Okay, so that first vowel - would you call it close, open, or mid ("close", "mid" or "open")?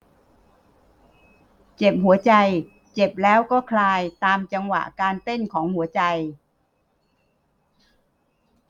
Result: mid